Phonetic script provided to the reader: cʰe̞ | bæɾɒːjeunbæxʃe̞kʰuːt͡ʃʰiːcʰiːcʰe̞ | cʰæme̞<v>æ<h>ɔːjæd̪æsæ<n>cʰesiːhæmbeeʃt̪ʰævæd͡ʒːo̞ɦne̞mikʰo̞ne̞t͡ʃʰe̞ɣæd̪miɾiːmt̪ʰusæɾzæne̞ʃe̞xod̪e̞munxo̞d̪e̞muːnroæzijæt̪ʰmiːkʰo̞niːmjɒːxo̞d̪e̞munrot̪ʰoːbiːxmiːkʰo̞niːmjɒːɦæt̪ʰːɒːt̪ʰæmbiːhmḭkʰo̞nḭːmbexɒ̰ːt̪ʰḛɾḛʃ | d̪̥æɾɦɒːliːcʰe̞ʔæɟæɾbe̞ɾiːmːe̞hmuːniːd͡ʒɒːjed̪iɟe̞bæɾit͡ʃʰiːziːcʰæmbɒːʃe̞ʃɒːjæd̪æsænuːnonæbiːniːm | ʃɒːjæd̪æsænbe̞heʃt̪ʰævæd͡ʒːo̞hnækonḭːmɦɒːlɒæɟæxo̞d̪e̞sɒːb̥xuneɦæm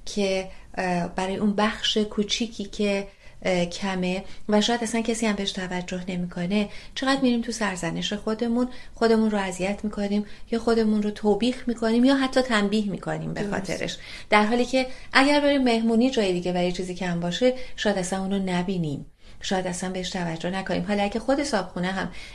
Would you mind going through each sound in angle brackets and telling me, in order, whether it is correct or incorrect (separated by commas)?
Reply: correct, incorrect, correct